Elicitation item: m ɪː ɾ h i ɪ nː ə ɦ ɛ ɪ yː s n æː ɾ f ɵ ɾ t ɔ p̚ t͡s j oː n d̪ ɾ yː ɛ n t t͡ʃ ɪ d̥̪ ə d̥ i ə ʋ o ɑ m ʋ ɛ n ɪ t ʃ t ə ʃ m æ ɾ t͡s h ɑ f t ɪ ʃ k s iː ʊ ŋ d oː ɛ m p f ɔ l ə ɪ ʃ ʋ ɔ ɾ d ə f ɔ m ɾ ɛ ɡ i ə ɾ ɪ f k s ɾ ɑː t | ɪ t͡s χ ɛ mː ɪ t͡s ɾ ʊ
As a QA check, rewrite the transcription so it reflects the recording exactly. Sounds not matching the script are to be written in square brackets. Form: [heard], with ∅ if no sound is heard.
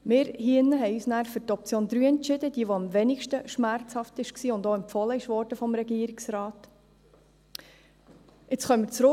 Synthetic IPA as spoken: m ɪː ɾ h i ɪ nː ə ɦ ɛ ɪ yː s n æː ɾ f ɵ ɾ t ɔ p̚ t͡s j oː n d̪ ɾ yː ɛ n t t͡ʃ ɪ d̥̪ ə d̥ i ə ʋ o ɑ m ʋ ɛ n ɪ [k] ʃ t ə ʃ m æ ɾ t͡s h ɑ f t ɪ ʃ k s iː ʊ [n] d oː ɛ m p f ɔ l ə ɪ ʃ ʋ ɔ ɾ d ə f ɔ m ɾ ɛ ɡ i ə ɾ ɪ [∅] k s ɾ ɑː t | ɪ t͡s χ [œ] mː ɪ t͡s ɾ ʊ